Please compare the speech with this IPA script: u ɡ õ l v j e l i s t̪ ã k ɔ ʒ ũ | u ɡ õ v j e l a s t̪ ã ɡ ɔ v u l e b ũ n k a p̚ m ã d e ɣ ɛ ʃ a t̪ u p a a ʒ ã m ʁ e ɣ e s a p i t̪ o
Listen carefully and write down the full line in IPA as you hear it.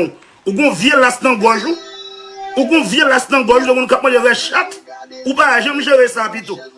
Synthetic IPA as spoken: u ɡ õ v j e l a s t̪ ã ɡ ɔ ʒ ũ | u ɡ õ v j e l a s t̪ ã ɡ ɔ ʒ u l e m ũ n k a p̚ m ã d e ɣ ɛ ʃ a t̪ u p a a ʒ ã m ʒ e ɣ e s a p i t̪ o